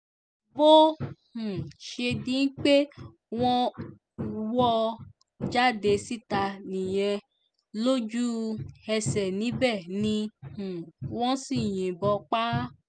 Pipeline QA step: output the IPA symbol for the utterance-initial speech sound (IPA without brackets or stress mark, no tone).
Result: b